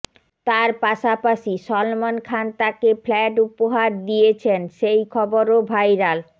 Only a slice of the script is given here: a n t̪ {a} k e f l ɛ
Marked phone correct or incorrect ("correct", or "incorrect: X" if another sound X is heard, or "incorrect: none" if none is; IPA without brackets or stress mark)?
correct